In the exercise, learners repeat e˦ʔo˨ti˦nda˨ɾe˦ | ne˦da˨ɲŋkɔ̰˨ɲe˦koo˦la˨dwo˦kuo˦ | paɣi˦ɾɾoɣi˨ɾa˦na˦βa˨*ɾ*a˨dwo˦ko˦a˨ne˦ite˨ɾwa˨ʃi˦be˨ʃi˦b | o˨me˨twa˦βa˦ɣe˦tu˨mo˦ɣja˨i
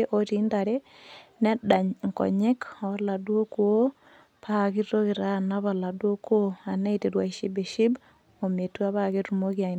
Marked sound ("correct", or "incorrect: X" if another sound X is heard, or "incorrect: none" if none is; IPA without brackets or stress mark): incorrect: l